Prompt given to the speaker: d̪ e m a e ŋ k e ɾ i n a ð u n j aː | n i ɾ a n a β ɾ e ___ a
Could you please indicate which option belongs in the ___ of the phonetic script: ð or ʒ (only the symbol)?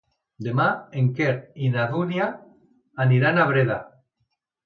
ð